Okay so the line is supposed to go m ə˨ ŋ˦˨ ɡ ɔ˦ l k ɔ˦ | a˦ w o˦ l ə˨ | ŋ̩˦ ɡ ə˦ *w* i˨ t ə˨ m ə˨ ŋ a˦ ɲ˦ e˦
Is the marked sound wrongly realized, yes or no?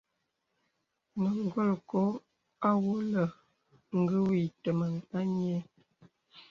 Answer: no